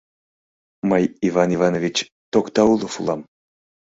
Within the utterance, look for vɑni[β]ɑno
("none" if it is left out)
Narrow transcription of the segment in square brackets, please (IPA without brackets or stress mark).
v